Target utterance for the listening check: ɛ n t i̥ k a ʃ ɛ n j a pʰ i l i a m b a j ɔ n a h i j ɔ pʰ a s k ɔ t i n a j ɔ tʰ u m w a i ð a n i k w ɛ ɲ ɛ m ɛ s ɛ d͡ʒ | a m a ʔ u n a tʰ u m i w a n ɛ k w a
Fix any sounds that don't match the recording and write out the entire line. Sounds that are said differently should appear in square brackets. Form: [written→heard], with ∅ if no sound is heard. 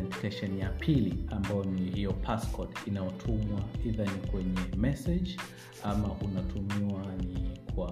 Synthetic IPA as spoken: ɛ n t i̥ k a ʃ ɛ n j a pʰ i l i a m b a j ɔ n [a→i] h i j ɔ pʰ a s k ɔ t i n a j ɔ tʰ u m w a i ð a n i k w ɛ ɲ ɛ m ɛ s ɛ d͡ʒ | a m a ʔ u n a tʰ u m i w a n [ɛ→i] k w a